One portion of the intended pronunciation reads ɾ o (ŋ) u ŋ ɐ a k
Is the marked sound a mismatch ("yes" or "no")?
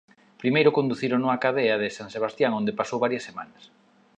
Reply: yes